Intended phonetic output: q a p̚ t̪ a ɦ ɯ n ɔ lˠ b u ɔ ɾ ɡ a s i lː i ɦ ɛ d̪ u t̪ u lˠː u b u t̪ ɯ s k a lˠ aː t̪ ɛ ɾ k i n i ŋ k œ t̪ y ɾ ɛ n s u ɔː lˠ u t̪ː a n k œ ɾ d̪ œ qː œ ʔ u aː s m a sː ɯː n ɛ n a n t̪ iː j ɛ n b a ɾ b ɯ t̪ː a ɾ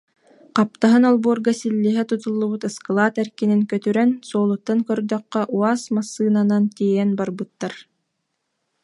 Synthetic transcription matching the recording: q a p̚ t̪ a ɦ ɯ n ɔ lˠ b u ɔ ɾ ɡ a s i lː i ɦ ɛ t̪ u t̪ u lˠː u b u t̪ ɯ s k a lˠ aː t̪ ɛ ɾ k i n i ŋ k œ t̪ y ɾ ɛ n s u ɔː lˠ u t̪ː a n k œ ɾ d̪ œ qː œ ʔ u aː s m a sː ɯː n a n a n t̪ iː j ɛ n b a ɾ b ɯ t̪ː a ɾ

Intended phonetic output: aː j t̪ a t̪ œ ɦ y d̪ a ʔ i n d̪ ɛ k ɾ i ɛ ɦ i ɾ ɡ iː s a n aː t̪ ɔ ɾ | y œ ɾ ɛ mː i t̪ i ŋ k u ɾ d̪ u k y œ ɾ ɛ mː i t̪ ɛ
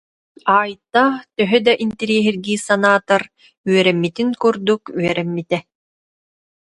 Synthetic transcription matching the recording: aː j t̪ a t̪ œ ɦ œ d̪ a ʔ i n t̪ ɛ ɾ i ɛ ɦ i ɾ ɡ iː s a n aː t̪ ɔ ɾ | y œ ɾ ɛ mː i t̪ i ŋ k u ɾ d̪ u k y œ ɾ ɛ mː i t̪ ɛ

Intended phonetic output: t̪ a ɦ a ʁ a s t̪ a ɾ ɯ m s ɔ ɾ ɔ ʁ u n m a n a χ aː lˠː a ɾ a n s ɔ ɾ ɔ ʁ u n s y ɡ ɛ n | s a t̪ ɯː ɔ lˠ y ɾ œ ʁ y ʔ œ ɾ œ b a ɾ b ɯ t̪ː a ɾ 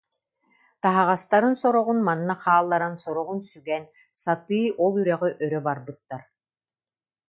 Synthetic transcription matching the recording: t̪ a ɦ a ʁ a s t̪ a ɾ ɯ n s ɔ ɾ ɔ ʁ u n m a nː a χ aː lˠː a ɾ a n s ɔ ɾ ɔ ʁ u n s y ɡ ɛ n | s a t̪ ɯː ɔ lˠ y ɾ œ ʁ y ʔ œ ɾ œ b a ɾ b ɯ t̪ː a ɾ

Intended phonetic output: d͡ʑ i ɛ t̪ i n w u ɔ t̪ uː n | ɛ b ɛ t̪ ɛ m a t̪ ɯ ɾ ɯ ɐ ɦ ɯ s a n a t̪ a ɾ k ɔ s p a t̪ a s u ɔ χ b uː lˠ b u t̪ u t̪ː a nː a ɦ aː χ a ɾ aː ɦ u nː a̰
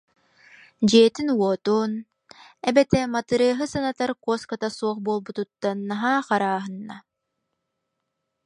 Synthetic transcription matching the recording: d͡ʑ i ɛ t̪ i n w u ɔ t̪ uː n | ɛ b ɛ t̪ ɛ m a t̪ ɯ ɾ ɯ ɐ ɦ ɯ s a n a t̪ a ɾ k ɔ s k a t̪ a s u ɔ χ b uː lˠ b u t̪ u t̪ː a nː a ɦ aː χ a ɾ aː ɦ ɯ nː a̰

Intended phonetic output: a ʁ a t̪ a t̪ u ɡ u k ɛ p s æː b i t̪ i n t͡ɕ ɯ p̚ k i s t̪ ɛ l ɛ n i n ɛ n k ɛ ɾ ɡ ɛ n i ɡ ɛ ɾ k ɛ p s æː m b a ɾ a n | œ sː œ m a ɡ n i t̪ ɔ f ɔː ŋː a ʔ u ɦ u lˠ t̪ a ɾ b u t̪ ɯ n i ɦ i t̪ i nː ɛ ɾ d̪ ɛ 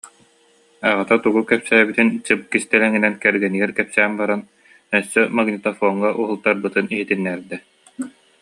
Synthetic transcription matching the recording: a ʁ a t̪ a t̪ u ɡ u k ɛ p s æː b i t̪ i n t͡ɕ ɯ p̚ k i s t̪ ɛ l ɛ ŋ i n ɛ n k ɛ ɾ ɡ ɛ n i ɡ ɛ ɾ k ɛ p s æː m b a ɾ a n | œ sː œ m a ɡ n i t̪ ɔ f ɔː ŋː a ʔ u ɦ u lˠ t̪ a ɾ b ɯ t̪ ɯ n i ɦ i t̪ i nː ɛ ɾ d̪ ɛ

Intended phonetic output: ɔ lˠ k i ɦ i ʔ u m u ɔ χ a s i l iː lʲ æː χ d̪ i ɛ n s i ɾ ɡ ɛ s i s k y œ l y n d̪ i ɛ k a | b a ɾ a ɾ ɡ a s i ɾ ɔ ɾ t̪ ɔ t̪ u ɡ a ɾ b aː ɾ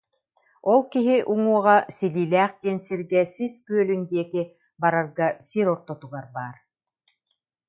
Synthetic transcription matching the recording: ɔ lˠ k i ɦ i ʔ u ŋ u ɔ ʁ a s i l iː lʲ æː χ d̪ i ɛ n s i ɾ ɡ ɛ s i s k y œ l y n d̪ i ɛ k i | b a ɾ a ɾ ɡ a s i ɾ ɔ ɾ t̪ ɔ t̪ u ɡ a ɾ b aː ɾ

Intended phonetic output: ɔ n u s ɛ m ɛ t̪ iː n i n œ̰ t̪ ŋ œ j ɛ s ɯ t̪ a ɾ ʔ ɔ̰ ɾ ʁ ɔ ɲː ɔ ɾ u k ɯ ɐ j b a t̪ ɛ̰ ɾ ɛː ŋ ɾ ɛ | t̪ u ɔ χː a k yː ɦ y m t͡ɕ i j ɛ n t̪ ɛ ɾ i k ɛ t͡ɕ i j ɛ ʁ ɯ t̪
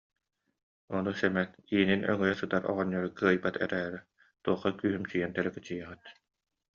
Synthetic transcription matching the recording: ɔ n u s ɛ m ɛ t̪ iː n i n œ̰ ŋ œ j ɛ s ɯ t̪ a ɾ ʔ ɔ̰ ʁ ɔ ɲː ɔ ɾ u k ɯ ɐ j b a t̪ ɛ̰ ɾ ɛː ɾ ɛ | t̪ u ɔ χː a k yː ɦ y m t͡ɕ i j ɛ n t̪ ɛ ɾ ɛ k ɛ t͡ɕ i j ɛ ʁ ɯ t̪

